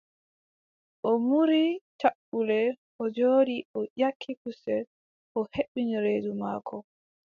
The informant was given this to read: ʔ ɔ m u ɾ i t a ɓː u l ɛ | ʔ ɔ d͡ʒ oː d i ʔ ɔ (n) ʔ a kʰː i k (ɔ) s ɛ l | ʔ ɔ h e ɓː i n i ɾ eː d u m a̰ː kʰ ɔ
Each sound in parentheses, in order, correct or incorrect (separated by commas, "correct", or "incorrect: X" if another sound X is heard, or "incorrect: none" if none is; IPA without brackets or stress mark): incorrect: none, incorrect: u